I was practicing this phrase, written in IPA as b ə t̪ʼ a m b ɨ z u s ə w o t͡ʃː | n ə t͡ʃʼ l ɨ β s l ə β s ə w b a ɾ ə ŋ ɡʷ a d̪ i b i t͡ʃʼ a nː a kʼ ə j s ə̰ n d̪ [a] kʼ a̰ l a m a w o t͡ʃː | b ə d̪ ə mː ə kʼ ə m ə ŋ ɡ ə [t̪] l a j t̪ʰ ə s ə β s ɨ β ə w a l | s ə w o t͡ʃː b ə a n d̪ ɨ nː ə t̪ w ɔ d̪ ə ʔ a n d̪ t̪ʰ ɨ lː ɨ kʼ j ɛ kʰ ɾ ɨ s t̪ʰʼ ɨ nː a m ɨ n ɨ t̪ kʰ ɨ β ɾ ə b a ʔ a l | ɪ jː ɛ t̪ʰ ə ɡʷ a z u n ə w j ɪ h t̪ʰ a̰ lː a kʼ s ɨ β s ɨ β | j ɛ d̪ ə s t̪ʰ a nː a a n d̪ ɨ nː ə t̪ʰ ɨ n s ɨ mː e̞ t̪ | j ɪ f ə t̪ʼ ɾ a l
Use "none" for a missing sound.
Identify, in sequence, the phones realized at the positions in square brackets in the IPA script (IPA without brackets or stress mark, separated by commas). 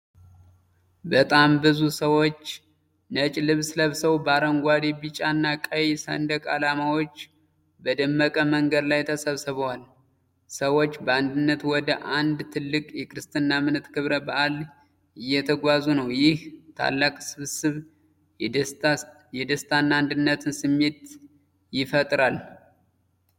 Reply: ə, d̪